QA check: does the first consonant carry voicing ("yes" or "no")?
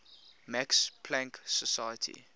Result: yes